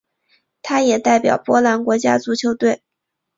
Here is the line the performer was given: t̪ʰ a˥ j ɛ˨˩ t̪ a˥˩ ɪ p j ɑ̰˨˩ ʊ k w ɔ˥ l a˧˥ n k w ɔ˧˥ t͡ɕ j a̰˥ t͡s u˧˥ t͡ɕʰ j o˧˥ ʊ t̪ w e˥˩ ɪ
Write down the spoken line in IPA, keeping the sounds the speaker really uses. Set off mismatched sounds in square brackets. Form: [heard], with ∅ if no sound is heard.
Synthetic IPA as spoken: t̪ʰ a˥ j ɛ˨˩ t̪ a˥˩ ɪ p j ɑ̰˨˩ ʊ [p] w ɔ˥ l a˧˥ n k w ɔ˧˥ t͡ɕ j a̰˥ t͡s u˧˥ t͡ɕʰ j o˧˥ ʊ t̪ w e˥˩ ɪ